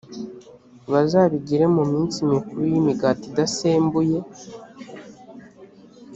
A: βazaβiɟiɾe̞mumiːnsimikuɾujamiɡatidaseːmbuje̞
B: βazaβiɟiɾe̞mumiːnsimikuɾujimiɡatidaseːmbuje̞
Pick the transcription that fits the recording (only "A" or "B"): B